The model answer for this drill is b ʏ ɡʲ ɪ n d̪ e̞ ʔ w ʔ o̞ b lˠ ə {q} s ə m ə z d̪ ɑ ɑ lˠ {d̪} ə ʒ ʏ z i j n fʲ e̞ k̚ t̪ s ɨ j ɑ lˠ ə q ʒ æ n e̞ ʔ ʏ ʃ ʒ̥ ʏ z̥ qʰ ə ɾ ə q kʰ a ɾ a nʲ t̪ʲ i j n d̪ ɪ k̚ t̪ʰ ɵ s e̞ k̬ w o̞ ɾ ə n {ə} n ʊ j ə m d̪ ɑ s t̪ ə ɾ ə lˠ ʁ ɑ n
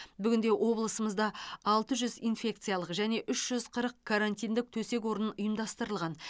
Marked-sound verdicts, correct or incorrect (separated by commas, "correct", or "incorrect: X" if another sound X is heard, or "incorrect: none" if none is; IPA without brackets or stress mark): incorrect: none, incorrect: t̪, correct